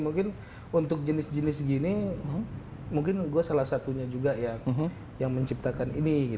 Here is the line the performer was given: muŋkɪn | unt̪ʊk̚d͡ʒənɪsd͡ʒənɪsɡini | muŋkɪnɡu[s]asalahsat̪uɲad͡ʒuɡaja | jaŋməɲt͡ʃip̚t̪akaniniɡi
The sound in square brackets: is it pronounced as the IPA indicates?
no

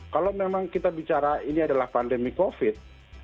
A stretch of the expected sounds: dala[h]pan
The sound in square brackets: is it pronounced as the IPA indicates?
yes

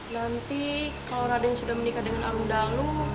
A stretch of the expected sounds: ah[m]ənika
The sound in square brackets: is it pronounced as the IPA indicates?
yes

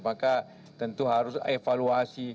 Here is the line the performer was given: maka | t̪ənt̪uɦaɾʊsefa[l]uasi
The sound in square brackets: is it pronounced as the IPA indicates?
yes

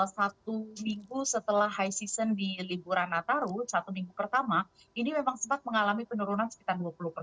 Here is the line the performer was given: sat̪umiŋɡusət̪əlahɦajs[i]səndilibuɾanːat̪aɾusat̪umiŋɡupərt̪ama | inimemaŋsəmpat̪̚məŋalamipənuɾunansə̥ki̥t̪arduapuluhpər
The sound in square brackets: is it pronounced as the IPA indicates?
yes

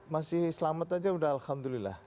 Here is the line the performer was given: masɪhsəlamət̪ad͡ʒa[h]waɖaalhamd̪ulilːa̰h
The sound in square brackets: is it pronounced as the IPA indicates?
no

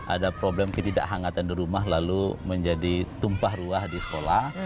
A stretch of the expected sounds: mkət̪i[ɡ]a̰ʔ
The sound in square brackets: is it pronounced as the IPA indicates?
no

